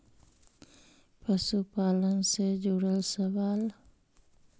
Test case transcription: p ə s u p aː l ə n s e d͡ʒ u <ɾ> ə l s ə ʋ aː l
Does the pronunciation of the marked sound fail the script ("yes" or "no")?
yes